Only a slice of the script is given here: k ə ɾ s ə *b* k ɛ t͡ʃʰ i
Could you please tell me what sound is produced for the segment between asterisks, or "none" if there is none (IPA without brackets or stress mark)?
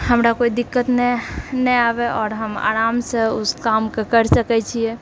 none